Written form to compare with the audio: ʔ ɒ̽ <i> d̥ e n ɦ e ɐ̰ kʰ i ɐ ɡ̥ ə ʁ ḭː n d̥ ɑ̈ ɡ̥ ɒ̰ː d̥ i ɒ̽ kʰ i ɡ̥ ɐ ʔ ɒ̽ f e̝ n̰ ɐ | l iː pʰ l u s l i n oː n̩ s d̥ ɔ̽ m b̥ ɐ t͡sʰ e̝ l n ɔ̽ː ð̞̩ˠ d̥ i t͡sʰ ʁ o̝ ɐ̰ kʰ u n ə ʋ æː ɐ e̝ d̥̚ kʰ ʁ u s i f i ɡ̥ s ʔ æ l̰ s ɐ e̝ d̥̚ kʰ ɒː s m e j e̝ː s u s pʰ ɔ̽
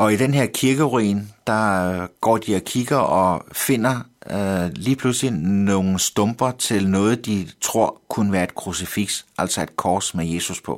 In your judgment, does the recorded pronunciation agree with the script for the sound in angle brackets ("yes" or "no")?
yes